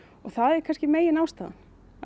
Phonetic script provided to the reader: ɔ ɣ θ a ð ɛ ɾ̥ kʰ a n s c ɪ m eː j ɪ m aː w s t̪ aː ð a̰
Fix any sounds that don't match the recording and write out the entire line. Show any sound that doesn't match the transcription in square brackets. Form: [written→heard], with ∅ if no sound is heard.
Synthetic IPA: ɔ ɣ θ a ð ɛ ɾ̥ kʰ a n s c ɪ m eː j ɪ [m→n] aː w s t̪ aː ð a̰